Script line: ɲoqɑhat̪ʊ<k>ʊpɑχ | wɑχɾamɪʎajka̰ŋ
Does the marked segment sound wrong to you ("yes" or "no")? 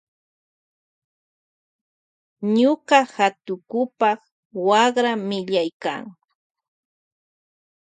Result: no